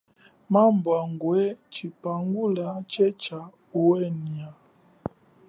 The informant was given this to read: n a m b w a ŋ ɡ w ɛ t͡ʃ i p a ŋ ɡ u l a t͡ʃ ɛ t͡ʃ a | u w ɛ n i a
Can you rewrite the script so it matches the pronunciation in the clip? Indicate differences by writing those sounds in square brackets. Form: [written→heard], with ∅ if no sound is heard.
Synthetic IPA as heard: [n→m] a m b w a ŋ ɡ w ɛ t͡ʃ i p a ŋ ɡ u l a t͡ʃ ɛ t͡ʃ a | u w ɛ n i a